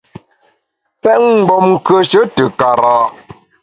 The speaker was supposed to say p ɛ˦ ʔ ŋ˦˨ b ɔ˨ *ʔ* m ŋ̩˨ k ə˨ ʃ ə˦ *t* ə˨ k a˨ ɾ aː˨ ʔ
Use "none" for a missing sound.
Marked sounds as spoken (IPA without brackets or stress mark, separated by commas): none, t